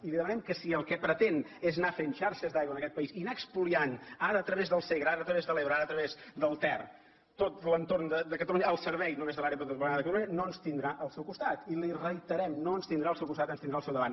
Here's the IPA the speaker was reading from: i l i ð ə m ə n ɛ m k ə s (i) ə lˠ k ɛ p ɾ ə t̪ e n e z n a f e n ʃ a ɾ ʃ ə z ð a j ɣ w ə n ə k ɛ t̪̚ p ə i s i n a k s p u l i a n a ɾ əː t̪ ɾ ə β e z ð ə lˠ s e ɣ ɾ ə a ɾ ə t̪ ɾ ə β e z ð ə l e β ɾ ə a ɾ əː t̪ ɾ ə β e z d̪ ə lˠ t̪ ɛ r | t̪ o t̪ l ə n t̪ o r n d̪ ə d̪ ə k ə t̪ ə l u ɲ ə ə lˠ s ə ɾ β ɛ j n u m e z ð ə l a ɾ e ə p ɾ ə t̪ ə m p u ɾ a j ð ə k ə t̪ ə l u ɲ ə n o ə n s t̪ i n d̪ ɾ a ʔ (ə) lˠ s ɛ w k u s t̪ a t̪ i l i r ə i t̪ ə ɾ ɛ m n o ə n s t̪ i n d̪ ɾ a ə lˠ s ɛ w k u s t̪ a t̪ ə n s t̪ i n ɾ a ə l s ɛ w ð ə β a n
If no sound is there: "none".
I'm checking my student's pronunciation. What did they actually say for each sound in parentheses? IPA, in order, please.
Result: i, ə

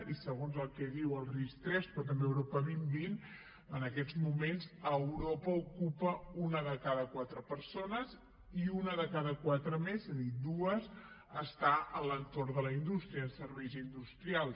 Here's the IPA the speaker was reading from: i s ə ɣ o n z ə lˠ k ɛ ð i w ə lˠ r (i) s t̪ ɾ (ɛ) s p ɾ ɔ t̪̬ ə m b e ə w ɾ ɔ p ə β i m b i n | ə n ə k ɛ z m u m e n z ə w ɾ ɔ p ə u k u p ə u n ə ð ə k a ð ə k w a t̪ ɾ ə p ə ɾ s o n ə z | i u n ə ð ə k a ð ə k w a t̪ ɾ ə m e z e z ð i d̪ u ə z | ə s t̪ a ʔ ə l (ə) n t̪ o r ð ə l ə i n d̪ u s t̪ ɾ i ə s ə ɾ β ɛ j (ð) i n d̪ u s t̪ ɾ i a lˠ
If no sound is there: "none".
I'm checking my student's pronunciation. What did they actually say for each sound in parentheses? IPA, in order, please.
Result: i, ɛ, ə, z

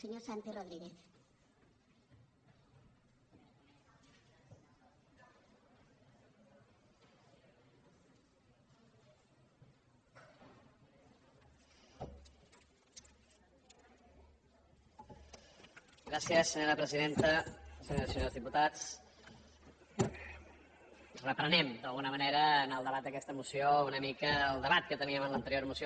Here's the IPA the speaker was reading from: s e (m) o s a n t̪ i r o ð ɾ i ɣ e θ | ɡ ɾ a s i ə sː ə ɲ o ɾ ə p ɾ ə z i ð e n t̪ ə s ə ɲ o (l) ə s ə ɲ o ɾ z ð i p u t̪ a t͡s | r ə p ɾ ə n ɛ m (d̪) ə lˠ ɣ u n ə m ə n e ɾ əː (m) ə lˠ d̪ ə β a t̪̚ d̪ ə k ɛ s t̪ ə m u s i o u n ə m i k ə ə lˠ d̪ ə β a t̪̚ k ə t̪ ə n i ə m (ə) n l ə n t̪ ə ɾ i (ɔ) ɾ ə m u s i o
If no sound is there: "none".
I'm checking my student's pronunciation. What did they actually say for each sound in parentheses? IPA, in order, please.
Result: ɲ, ɾ, d̪, n, ə, o

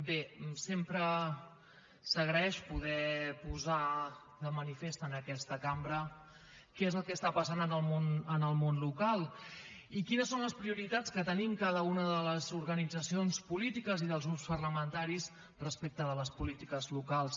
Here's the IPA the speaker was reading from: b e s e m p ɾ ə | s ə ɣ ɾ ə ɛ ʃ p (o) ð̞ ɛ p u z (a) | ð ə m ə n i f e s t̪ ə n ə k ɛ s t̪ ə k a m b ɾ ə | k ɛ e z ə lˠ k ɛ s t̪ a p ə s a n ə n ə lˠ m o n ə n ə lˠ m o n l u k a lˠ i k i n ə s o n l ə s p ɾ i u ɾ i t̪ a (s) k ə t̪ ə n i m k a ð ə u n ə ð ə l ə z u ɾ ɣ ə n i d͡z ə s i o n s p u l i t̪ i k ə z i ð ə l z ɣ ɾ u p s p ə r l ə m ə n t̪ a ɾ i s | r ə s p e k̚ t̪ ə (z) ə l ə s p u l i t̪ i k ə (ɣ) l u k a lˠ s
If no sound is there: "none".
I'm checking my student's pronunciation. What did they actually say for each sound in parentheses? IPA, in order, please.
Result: u, a, t͡s, ð, z

